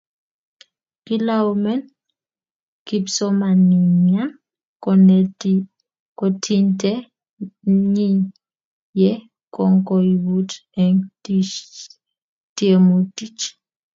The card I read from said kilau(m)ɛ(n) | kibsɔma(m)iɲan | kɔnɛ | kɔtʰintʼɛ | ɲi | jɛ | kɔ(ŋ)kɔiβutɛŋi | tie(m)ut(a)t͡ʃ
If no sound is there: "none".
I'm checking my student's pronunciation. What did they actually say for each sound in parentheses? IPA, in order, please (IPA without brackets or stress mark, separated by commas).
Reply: m, n, n, ŋ, m, i